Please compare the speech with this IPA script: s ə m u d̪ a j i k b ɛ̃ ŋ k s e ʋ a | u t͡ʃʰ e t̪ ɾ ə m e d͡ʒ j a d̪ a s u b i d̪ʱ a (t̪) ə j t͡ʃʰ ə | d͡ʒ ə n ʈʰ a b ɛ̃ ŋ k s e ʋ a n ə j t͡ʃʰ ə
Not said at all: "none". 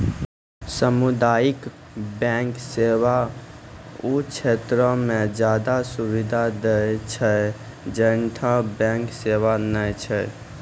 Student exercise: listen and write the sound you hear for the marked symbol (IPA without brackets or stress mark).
d̪